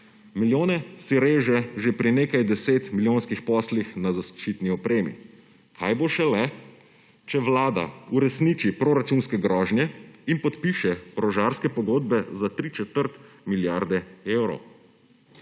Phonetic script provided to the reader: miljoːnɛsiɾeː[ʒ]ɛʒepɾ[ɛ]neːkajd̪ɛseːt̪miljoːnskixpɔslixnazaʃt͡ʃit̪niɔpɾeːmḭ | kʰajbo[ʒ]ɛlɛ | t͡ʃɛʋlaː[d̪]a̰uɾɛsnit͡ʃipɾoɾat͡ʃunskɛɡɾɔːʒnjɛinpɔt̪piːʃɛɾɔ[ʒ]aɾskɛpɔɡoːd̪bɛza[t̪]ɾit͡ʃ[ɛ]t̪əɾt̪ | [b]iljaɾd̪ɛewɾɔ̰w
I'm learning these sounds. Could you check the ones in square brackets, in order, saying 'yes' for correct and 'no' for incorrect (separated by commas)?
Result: yes, no, no, yes, yes, yes, yes, no